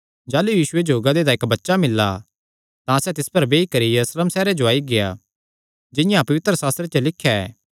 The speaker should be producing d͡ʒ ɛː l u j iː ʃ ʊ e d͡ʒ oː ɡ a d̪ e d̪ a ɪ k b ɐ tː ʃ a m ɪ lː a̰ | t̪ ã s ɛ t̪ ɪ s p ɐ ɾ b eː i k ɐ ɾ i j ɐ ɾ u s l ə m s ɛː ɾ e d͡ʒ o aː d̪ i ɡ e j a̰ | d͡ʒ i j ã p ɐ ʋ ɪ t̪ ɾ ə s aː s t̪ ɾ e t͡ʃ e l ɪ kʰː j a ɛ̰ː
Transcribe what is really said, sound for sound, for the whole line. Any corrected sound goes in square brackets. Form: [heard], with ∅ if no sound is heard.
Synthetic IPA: d͡ʒ [aː] l u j iː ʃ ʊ e d͡ʒ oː ɡ a d̪ e d̪ a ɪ k b ɐ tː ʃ a m ɪ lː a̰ | t̪ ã s ɛ t̪ ɪ s p ɐ ɾ b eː i k ɐ ɾ i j ɐ ɾ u s l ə m s ɛː ɾ e d͡ʒ o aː [∅] i ɡ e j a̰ | d͡ʒ [ɪ] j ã p ɐ ʋ ɪ t̪ ɾ ə s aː s t̪ ɾ e t͡ʃ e l ɪ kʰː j a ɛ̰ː